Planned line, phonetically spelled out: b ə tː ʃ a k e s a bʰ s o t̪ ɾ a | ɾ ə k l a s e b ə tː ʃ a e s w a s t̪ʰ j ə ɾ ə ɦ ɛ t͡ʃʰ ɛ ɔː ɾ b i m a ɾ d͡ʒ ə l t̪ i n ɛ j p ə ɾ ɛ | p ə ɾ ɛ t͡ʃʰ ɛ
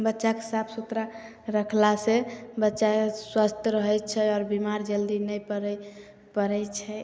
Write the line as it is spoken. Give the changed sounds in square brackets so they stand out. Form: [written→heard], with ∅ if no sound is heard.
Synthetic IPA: b ə tː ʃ a k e s a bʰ s [o→u] t̪ ɾ a | ɾ ə [k→kʰ] l a s e b ə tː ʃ a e s w a s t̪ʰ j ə ɾ ə ɦ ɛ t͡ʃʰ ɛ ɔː ɾ b i m a ɾ d͡ʒ ə l [t̪→d̪] i n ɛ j p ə ɾ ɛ | p ə ɾ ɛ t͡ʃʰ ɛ